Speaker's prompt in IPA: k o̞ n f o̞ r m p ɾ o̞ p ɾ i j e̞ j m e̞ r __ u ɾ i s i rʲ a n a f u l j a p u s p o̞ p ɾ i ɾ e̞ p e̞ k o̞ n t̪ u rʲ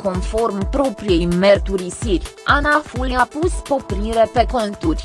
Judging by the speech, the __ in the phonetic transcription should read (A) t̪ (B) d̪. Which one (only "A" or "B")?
A